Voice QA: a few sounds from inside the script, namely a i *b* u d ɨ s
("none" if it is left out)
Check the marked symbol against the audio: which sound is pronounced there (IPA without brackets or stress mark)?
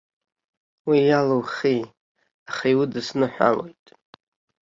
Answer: w